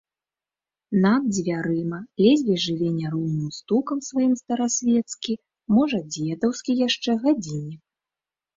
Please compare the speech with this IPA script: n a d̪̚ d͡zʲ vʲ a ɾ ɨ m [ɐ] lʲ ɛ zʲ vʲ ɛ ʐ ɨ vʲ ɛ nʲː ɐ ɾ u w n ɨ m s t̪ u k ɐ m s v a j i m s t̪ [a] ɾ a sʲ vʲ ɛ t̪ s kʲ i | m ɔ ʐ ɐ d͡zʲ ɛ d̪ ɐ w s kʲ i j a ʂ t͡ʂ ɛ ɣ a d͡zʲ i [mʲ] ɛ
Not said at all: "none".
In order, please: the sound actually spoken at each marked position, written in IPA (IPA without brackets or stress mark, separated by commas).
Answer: ɐ, ɐ, nʲ